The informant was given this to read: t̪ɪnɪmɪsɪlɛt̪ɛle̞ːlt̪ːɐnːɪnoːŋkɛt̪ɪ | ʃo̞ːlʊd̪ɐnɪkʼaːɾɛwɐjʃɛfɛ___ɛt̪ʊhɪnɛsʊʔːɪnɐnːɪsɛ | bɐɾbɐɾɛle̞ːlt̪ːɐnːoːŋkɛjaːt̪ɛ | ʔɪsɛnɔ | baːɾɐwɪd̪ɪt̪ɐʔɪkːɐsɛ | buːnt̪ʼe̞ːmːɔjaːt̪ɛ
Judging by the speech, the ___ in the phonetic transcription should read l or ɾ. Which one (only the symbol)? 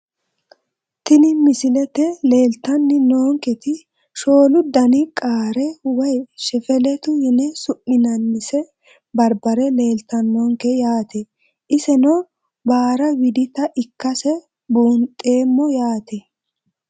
l